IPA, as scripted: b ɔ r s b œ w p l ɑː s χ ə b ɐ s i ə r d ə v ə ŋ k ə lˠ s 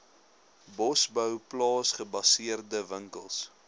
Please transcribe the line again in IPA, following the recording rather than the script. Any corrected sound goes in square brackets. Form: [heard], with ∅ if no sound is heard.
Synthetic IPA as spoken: b ɔ [∅] s b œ w p l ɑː s χ ə b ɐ s i ə r d ə v ə ŋ k ə lˠ s